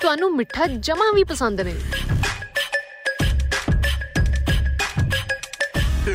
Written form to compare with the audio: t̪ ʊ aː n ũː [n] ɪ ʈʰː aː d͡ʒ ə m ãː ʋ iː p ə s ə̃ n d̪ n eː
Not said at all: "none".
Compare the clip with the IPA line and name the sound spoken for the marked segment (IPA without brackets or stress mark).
m